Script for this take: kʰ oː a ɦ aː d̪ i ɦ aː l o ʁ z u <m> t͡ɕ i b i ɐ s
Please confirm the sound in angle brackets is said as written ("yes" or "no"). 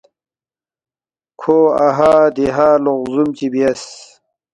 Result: yes